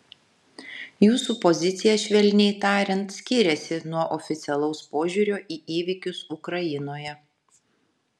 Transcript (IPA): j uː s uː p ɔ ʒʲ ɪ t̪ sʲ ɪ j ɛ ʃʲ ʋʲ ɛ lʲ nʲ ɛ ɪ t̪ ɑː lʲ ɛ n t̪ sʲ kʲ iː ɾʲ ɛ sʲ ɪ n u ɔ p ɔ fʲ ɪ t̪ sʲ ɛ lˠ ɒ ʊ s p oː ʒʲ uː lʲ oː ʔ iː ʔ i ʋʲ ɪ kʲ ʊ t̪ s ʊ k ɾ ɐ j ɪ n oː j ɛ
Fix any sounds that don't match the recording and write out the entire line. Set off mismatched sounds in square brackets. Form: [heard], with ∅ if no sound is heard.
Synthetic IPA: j uː s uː p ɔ [zʲ] ɪ t̪ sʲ ɪ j ɛ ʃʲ ʋʲ ɛ lʲ nʲ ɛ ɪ t̪ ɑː [ɾʲ] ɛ n t̪ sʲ kʲ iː ɾʲ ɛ sʲ ɪ n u ɔ [ʔ] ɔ fʲ ɪ t̪ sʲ ɛ lˠ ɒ ʊ s p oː ʒʲ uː [ɾʲ] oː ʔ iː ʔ [iː] ʋʲ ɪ kʲ ʊ [∅] s ʊ k ɾ ɐ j ɪ n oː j ɛ

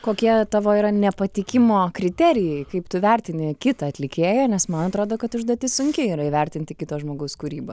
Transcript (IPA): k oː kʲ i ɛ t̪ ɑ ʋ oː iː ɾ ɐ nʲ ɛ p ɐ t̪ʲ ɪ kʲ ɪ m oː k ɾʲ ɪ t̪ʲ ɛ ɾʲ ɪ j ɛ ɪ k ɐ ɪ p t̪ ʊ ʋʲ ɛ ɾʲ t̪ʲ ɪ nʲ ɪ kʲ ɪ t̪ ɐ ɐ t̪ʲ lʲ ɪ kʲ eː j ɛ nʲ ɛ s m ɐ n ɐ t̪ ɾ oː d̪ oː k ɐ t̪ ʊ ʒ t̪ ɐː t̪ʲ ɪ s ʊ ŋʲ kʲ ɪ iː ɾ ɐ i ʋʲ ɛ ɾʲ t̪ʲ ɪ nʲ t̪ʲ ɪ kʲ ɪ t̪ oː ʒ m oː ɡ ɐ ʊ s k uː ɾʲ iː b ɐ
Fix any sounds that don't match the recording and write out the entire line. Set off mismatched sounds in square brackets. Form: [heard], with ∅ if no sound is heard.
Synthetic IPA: k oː kʲ i ɛ t̪ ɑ ʋ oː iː ɾ ɐ nʲ ɛ p ɐ t̪ʲ ɪ kʲ ɪ m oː k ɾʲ ɪ t̪ʲ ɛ ɾʲ ɪ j ɛ ɪ k ɐ ɪ p t̪ ʊ ʋʲ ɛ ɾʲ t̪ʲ ɪ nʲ ɪ kʲ ɪ t̪ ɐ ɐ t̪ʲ lʲ ɪ kʲ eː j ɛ nʲ ɛ s m ɐ n ɐ t̪ ɾ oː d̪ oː k ɐ t̪ ʊ ʒ [d̪] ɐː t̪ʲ ɪ s ʊ ŋʲ kʲ ɪ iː ɾ ɐ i ʋʲ ɛ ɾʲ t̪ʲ ɪ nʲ t̪ʲ ɪ kʲ ɪ t̪ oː ʒ m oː ɡ ɐ ʊ s k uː ɾʲ iː b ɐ

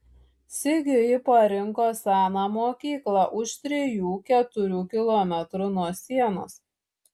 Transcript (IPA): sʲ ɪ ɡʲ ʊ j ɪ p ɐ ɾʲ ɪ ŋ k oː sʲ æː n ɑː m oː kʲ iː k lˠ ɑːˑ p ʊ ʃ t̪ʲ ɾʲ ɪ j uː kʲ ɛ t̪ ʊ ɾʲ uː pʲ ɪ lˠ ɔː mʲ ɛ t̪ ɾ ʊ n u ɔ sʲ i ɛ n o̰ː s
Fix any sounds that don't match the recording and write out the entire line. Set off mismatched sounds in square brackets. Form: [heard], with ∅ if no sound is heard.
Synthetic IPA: sʲ ɪ ɡʲ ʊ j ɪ p ɐ ɾʲ ɪ ŋ k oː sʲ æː n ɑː m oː kʲ iː k lˠ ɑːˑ [ʔ] ʊ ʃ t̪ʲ ɾʲ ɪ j uː kʲ ɛ t̪ ʊ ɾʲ uː [kʲ] ɪ lˠ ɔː mʲ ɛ t̪ ɾ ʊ n u ɔ sʲ i ɛ n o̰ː s

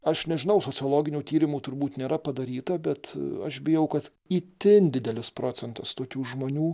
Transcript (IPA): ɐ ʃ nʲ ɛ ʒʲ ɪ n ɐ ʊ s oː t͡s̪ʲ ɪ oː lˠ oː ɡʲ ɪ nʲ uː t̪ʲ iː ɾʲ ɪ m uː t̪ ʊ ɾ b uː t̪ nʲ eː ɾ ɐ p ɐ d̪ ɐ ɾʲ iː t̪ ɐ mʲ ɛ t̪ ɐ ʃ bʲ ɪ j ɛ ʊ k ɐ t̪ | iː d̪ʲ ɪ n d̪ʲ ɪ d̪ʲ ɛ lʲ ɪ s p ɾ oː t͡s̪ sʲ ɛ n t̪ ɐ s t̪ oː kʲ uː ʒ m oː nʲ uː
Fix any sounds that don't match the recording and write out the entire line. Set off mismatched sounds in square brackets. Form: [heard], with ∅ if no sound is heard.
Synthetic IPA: ɐ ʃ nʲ ɛ ʒʲ ɪ n ɐ ʊ s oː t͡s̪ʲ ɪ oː lˠ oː ɡʲ ɪ nʲ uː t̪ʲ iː ɾʲ ɪ m uː t̪ ʊ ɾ b uː t̪ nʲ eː ɾ ɐ p ɐ d̪ ɐ ɾʲ iː t̪ ɐ [bʲ] ɛ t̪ ɐ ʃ bʲ ɪ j ɛ ʊ k ɐ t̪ | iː [t̪ʲ] ɪ n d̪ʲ ɪ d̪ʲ ɛ lʲ ɪ s p ɾ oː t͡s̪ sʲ ɛ n t̪ ɐ s t̪ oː kʲ uː ʒ m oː nʲ uː

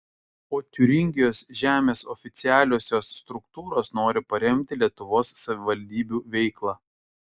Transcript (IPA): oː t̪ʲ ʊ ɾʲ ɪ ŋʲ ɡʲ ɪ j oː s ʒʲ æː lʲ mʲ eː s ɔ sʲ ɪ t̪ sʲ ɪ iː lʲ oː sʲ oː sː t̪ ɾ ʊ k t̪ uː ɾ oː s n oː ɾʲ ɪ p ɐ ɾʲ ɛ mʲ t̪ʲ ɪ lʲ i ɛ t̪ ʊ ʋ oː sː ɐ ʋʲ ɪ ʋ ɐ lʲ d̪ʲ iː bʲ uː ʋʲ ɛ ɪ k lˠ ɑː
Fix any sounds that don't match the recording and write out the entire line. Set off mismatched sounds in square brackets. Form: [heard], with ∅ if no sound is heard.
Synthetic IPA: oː t̪ʲ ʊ ɾʲ ɪ ŋʲ ɡʲ ɪ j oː s ʒʲ æː [∅] mʲ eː s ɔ [fʲ] ɪ t̪ sʲ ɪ [æː] lʲ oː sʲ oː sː t̪ ɾ ʊ k t̪ uː ɾ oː s n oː ɾʲ ɪ p ɐ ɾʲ ɛ mʲ t̪ʲ ɪ lʲ i ɛ t̪ ʊ ʋ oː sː ɐ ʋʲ ɪ ʋ ɐ lʲ d̪ʲ iː bʲ uː ʋʲ ɛ ɪ k lˠ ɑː

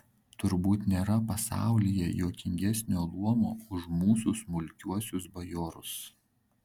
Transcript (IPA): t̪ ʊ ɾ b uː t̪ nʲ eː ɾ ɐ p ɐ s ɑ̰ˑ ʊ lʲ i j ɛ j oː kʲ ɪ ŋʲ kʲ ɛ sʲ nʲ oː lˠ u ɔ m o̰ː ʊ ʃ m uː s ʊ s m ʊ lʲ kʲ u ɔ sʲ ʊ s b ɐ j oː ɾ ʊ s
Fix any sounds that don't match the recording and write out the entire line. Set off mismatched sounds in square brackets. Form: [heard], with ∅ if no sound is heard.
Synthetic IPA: t̪ ʊ ɾ b uː t̪ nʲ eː ɾ ɐ p ɐ s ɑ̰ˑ ʊ lʲ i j ɛ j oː kʲ ɪ ŋʲ [ɡʲ] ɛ sʲ nʲ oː lˠ u ɔ m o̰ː ʊ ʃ m uː s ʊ s m ʊ lʲ kʲ u ɔ sʲ ʊ s b ɐ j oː ɾ ʊ s

